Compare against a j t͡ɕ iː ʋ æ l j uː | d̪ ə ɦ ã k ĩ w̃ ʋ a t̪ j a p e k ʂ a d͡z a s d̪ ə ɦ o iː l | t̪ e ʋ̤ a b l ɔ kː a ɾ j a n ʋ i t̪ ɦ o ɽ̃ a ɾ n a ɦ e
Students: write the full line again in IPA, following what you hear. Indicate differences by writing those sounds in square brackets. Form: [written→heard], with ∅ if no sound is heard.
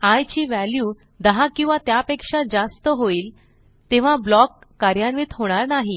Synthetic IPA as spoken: a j t͡ɕ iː ʋ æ l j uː | d̪ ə ɦ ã k ĩ w̃ ʋ a t̪ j a p e k ʂ a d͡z a s [d̪→t̪] ə ɦ o iː l | t̪ e ʋ̤ a b l ɔ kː a ɾ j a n ʋ i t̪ ɦ o ɽ̃ a ɾ n a ɦ [e→i]